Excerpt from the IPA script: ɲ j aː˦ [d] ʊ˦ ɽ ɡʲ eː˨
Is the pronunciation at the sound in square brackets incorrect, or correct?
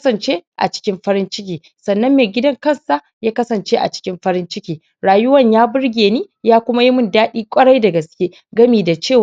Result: incorrect: b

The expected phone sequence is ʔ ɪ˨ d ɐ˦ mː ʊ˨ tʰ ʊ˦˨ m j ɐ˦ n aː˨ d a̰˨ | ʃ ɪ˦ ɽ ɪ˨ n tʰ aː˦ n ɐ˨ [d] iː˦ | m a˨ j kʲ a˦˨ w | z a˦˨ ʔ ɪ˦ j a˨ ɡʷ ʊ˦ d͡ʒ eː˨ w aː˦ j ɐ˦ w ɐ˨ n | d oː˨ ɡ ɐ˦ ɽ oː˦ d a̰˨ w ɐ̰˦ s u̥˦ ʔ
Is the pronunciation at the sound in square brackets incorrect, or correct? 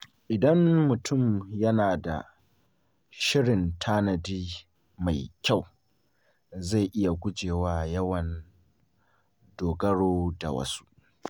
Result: correct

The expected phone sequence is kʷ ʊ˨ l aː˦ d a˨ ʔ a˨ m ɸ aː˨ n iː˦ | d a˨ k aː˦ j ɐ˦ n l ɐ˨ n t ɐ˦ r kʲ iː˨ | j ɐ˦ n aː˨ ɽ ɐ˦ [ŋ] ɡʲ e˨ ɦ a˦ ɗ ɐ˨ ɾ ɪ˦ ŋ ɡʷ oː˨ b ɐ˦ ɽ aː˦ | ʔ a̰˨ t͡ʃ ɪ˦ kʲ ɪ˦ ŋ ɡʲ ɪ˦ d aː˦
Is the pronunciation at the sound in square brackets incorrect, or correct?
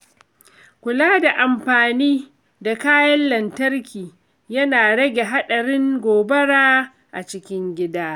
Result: incorrect: none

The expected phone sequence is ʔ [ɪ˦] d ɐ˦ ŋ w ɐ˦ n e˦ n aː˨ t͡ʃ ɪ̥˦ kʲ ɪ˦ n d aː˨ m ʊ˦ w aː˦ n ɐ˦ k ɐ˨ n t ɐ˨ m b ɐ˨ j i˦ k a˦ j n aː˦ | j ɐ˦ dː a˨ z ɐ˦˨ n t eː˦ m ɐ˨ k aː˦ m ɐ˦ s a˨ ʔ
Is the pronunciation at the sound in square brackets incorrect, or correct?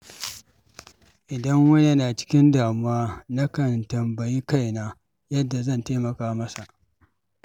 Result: incorrect: ɪ˨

